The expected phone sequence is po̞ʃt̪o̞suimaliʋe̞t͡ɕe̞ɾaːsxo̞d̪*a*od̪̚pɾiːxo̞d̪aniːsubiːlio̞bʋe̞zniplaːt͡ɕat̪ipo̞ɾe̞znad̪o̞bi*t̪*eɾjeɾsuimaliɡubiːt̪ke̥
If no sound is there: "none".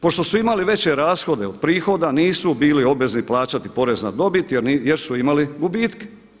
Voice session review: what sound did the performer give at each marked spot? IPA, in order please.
e, t̪

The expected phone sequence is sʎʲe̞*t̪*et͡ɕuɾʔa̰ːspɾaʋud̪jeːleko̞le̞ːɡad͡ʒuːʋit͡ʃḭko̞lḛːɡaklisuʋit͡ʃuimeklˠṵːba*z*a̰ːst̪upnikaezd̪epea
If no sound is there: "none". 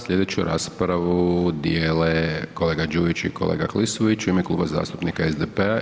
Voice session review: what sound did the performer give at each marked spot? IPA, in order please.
d̪, z

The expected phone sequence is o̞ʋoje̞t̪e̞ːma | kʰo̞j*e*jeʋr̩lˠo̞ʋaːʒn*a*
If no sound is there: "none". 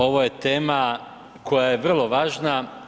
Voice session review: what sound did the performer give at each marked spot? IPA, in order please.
a, a

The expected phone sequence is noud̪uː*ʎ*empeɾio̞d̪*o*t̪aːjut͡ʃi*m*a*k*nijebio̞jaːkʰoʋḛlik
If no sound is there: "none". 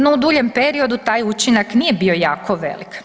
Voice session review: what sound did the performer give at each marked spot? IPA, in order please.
ʎ, u, n, k

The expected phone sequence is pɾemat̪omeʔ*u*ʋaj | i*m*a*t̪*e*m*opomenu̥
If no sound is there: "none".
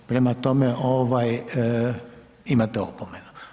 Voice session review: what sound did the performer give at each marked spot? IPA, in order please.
o, m, t̪, none

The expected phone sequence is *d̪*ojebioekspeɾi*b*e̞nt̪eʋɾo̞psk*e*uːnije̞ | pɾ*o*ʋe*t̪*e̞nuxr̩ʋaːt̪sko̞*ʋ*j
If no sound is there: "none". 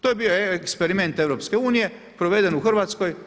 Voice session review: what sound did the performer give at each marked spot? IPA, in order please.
t̪, m, e, o, d̪, none

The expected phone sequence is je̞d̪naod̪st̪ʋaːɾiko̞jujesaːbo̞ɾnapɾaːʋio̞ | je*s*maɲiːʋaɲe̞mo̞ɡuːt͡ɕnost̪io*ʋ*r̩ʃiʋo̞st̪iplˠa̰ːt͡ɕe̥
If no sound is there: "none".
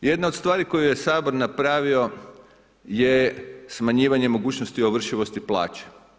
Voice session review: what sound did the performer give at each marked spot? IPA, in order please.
s, ʋ

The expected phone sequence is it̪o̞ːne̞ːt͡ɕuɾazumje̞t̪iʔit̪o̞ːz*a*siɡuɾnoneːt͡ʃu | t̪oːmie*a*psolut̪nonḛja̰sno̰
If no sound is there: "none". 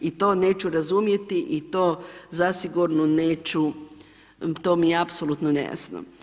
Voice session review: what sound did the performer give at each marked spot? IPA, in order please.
a, a

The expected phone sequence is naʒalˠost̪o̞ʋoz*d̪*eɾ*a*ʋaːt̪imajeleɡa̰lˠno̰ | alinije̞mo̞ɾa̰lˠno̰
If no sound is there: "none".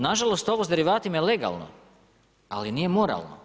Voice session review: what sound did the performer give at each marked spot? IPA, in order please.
d̪, i

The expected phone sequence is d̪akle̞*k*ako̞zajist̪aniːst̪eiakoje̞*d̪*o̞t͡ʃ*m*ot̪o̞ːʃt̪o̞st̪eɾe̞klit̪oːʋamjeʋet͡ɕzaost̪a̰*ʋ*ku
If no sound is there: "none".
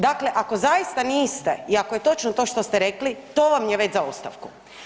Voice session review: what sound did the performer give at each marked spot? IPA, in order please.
ʔ, t̪, n, ʋ

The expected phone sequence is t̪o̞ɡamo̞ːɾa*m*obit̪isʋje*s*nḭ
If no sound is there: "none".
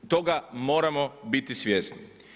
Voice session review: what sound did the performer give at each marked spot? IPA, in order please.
m, s

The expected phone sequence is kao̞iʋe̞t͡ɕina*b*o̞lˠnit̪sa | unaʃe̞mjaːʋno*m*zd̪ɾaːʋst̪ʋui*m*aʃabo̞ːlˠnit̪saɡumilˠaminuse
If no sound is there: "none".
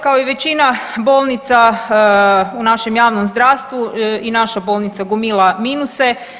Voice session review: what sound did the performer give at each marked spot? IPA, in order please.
b, m, n

